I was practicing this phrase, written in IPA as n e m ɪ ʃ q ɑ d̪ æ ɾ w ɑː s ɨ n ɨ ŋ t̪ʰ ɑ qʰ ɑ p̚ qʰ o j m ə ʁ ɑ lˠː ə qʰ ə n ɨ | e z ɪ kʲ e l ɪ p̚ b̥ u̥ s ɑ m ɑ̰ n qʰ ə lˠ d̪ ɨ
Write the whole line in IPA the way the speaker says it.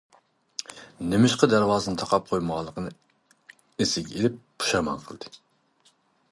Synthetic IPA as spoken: n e m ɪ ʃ q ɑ d̪ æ ɾ w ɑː z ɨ n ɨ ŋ t̪ʰ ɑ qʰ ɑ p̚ qʰ o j m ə ʁ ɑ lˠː ə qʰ ə n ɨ | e s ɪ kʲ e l ɪ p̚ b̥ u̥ ʃ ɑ m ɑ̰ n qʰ ə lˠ d̪ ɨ

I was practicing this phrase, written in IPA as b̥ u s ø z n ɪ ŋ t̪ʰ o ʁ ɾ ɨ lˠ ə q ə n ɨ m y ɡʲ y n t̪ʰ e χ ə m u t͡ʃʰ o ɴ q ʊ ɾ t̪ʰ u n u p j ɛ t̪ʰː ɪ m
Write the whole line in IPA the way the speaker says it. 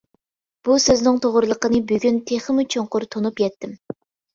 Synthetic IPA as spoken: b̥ u s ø z n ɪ ŋ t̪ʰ o ʁ ɾ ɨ lˠ ə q ə n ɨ b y ɡʲ y n t̪ʰ e χ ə m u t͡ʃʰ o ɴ q ʊ ɾ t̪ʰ o n u p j ɛ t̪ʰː ɪ m

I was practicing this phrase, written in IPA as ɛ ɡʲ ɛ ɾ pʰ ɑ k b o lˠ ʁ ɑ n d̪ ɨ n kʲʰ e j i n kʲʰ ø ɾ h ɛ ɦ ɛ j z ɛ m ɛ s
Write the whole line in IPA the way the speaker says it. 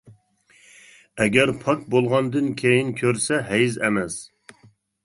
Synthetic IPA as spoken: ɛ ɡʲ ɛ ɾ pʰ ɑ k b o lˠ ʁ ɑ n d̪ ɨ n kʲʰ e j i n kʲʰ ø ɾ s ɛ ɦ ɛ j z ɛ m ɛ s

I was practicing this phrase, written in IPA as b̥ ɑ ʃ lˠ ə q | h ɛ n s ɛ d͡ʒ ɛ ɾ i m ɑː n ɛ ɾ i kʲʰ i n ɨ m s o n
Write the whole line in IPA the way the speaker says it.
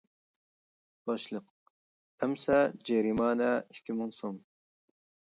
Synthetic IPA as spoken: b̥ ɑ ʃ lˠ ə q | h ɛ m s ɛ d͡ʒ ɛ ɾ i m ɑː n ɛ i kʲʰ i m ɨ ŋ s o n

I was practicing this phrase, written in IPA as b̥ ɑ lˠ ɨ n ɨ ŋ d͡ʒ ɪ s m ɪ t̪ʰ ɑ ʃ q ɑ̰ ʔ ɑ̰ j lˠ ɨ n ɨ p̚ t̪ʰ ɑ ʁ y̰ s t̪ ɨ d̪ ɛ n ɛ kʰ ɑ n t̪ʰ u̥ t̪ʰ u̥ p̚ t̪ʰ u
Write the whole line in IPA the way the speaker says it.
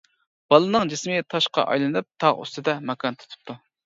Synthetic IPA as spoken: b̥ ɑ lˠ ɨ n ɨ ŋ d͡ʒ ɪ s m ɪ t̪ʰ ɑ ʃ q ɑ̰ ʔ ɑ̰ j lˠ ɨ n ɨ p̚ t̪ʰ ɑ ʁ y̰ s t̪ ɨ d̪ ɛ m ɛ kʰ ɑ n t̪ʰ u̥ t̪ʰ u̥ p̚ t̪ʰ u

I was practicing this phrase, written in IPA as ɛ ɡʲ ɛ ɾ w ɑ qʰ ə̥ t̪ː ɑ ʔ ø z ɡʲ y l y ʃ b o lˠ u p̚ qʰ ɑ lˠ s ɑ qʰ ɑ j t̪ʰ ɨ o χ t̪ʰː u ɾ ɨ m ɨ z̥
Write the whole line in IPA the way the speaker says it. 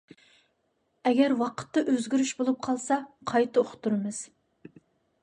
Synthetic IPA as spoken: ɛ ɡʲ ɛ ɾ w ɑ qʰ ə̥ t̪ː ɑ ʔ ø z ɡʲ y ɾ y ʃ b o lˠ u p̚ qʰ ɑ lˠ s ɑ qʰ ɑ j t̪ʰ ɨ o χ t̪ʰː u ɾ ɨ m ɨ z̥

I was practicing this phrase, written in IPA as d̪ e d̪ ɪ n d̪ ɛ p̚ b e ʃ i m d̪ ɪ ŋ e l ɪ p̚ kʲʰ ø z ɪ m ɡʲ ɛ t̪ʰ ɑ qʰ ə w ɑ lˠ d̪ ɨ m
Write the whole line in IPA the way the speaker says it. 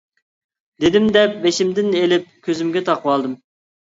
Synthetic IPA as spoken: d̪ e d̪ ɪ m d̪ ɛ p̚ b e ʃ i m d̪ ɪ n e l ɪ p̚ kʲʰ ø z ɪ m ɡʲ ɛ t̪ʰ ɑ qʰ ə w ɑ lˠ d̪ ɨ m

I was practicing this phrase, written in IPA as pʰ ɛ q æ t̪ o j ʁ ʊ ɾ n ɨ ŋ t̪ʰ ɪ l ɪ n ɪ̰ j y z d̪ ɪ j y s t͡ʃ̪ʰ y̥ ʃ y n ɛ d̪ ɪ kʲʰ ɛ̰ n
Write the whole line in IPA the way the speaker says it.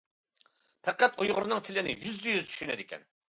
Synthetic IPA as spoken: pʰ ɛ q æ t̪ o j ʁ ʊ ɾ n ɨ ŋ t̪ʰ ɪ l ɪ n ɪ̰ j y z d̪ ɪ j y z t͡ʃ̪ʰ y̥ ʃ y n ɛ d̪ ɪ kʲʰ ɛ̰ n

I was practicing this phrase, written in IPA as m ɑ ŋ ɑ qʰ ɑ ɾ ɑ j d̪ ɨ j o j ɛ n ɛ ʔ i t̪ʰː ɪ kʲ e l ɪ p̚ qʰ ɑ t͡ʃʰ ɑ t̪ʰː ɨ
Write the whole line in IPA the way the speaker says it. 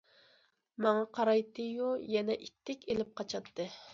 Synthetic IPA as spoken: m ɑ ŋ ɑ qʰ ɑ ɾ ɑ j t̪ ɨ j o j ɛ n ɛ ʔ i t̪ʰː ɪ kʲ e l ɪ p̚ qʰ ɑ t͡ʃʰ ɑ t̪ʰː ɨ

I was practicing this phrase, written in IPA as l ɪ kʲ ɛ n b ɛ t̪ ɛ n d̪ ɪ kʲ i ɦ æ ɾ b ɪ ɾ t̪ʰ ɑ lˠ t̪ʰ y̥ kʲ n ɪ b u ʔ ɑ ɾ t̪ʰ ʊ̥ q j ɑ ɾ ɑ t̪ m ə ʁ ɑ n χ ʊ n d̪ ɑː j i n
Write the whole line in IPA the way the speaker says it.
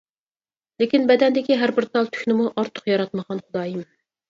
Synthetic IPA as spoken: l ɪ kʲ i n b ɛ d̪ ɛ n d̪ ɪ kʲ i ɦ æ ɾ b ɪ ɾ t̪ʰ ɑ lˠ t̪ʰ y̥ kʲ n ɪ m u ʔ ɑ ɾ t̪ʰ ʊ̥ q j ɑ ɾ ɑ t̪ m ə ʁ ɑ n χ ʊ d̪ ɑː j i m

